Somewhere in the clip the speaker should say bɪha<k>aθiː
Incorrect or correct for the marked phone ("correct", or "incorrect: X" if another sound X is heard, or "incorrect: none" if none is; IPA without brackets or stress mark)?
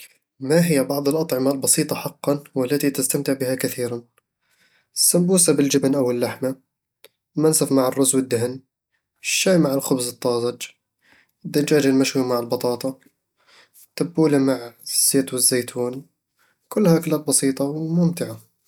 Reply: correct